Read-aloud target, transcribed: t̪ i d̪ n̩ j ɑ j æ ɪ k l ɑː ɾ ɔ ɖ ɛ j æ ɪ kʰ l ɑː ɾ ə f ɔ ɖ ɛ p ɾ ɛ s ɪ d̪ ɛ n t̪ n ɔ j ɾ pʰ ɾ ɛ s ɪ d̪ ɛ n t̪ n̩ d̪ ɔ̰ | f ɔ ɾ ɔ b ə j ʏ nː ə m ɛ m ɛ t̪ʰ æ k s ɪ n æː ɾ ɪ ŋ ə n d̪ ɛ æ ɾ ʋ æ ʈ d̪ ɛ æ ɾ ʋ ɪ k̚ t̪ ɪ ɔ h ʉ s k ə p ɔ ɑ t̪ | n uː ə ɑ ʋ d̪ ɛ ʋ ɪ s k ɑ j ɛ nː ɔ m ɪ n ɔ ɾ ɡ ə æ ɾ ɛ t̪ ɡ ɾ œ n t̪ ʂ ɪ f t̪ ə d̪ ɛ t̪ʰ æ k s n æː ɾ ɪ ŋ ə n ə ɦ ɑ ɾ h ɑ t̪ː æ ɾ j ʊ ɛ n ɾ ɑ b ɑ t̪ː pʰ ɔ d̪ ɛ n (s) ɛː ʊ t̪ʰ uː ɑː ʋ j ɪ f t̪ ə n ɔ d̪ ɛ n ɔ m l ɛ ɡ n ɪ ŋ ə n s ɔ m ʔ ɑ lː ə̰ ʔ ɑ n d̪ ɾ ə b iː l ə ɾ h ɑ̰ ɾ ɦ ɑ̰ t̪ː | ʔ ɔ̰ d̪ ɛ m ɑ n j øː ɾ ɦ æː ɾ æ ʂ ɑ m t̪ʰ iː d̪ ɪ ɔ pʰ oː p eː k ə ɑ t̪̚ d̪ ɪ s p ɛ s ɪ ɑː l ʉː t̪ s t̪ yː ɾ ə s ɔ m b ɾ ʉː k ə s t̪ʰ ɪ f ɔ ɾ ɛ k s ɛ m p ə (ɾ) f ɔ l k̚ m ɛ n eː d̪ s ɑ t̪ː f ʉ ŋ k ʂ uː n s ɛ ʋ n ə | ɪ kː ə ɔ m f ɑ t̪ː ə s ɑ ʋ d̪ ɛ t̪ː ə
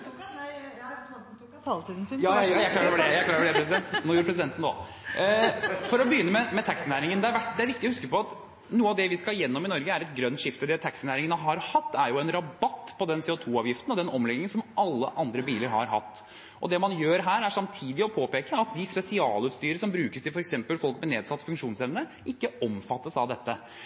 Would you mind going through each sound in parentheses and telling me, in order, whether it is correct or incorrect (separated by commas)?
correct, incorrect